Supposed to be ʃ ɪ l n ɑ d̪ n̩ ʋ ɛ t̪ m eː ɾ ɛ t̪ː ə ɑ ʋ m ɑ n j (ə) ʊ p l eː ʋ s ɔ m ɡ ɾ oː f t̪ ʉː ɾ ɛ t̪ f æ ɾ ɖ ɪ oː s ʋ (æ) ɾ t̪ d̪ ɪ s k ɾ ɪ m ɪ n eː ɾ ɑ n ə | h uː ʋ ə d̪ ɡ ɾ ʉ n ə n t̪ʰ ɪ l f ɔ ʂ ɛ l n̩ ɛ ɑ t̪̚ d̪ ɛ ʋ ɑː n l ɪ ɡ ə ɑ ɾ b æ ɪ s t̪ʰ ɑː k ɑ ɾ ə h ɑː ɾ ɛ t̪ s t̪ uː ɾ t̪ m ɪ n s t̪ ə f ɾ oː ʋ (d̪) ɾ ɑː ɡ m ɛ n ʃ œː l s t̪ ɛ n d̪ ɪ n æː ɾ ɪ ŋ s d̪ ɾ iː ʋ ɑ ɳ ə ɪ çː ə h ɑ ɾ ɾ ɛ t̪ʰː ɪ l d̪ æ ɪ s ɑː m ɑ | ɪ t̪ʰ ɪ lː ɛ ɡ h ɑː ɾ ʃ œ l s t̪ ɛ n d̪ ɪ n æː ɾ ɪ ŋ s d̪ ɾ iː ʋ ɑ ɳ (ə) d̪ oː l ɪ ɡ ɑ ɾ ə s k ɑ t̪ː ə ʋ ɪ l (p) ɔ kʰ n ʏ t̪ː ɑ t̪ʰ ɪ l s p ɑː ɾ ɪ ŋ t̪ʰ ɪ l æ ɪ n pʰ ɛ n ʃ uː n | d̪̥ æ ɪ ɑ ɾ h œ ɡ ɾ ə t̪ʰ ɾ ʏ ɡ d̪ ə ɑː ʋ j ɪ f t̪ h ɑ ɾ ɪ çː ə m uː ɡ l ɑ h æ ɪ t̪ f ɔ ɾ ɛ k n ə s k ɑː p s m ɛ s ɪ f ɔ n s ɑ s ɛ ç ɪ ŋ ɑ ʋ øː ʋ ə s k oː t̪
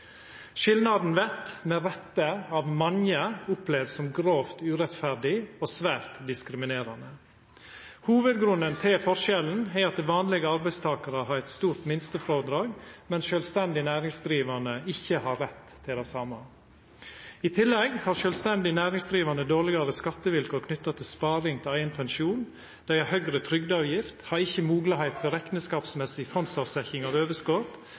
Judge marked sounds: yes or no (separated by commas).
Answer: yes, no, yes, yes, no